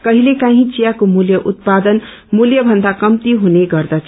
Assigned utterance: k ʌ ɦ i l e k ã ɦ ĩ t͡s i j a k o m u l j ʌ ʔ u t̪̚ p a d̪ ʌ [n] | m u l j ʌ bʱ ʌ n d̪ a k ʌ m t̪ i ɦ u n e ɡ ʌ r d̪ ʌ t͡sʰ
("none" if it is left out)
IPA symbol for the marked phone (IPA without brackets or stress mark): n